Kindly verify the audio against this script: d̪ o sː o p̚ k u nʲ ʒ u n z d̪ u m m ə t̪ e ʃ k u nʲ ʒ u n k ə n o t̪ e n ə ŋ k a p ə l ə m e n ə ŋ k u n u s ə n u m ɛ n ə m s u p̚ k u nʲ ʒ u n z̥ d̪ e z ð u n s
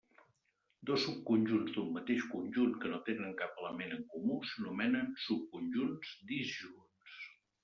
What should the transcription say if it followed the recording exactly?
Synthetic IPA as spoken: d̪ o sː u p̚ k u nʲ ʒ u n z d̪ u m m ə t̪ e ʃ k u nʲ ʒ u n k ə n o t̪ e n ə ŋ k a p ə l ə m e n ə ŋ k u m u s ə n u m ɛ n ə n s u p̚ k u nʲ ʒ u n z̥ d̪ i z ʒ u n s